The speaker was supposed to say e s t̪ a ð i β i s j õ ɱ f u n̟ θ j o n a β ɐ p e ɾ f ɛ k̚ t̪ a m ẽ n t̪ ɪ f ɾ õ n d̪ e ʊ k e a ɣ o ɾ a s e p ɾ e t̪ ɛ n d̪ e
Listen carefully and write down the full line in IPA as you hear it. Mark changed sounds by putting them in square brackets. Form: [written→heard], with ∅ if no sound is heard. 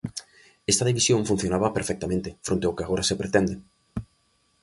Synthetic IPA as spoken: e s t̪ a ð i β i s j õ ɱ f u n̟ θ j o n a β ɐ p e ɾ f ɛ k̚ t̪ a m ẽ n t̪ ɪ f ɾ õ n [d̪→t̪] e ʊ k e a ɣ o ɾ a s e p ɾ e t̪ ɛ n d̪ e